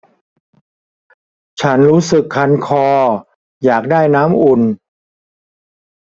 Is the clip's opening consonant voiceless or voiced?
voiceless